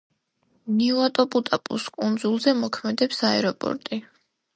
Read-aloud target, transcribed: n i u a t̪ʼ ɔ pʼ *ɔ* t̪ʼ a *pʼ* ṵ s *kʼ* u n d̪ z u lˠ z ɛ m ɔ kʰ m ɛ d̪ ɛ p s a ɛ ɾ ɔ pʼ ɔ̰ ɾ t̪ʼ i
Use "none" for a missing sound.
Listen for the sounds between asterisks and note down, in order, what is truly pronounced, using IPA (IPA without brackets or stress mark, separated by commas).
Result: u, pʼ, kʼ